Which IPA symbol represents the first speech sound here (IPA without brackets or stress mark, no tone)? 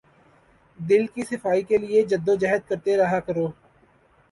d̪